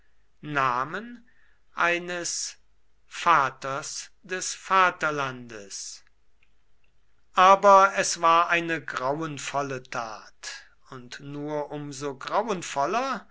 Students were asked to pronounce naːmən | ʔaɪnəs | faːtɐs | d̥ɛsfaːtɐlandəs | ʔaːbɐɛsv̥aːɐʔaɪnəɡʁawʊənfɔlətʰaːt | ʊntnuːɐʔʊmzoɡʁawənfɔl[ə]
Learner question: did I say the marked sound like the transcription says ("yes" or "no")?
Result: no